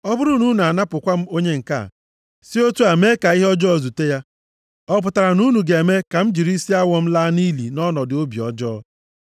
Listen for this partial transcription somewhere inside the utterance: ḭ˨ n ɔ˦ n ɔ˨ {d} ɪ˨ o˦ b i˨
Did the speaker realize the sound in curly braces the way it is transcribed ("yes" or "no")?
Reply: yes